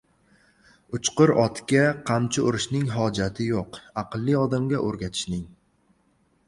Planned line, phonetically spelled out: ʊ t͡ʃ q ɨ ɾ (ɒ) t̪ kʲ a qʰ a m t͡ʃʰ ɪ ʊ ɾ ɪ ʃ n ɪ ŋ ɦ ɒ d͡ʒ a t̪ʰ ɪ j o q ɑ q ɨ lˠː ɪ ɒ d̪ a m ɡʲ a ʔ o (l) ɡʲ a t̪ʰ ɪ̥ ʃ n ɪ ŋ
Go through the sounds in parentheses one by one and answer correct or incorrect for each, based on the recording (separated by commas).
correct, incorrect